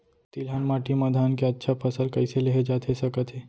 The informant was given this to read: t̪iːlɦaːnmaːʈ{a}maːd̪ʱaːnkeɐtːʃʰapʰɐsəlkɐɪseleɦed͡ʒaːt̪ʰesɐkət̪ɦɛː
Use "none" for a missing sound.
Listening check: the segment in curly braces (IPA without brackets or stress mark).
i